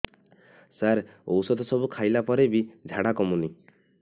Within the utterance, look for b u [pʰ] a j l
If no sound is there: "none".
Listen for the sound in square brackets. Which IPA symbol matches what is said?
kʰ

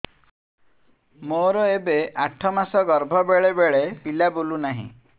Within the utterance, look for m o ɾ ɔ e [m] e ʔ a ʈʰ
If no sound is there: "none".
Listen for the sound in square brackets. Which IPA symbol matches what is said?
b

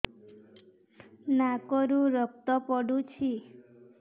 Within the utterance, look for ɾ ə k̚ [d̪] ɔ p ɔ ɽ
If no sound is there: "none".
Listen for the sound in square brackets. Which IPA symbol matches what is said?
t̪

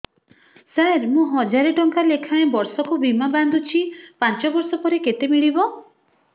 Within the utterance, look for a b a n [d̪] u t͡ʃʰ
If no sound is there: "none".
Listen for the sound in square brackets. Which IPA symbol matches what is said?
d̪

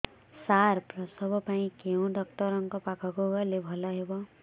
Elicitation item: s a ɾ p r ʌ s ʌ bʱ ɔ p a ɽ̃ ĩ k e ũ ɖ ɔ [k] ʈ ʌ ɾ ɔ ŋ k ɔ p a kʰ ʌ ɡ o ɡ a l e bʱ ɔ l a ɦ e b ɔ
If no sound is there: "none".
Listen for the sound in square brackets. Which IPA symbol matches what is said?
k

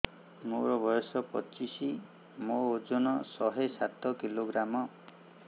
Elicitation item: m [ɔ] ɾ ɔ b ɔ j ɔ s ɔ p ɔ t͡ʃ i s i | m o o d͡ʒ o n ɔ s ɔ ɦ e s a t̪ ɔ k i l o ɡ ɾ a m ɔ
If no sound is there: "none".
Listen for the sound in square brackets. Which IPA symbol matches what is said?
o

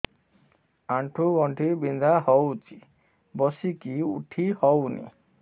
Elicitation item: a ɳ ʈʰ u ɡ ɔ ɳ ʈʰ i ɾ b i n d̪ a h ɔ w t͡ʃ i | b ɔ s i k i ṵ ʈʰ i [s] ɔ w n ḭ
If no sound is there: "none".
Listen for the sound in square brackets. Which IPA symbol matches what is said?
h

